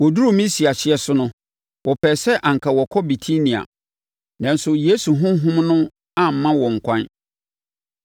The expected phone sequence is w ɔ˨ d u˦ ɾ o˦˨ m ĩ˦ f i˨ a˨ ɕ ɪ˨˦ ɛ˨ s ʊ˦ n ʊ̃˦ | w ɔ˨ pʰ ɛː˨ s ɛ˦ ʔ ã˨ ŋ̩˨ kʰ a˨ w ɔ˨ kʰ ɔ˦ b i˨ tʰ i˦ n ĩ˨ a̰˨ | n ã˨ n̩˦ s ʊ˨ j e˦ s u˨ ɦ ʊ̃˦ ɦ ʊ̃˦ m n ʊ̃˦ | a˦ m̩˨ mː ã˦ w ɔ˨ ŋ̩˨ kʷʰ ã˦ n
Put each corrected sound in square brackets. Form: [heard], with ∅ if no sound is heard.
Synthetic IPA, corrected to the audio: w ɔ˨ d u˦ ɾ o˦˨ m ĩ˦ [s] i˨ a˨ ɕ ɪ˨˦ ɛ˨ s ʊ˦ n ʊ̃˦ | w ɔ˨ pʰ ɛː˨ s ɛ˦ ʔ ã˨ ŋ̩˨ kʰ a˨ w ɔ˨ kʰ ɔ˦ b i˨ tʰ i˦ n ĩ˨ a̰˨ | n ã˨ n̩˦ s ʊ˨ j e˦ s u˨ ɦ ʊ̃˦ ɦ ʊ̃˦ m n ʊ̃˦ | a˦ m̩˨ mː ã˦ w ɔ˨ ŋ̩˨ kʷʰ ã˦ n